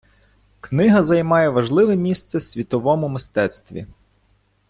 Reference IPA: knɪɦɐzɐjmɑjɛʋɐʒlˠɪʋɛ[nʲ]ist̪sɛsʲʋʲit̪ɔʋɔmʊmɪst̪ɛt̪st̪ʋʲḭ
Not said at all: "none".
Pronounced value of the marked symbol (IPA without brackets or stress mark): mʲ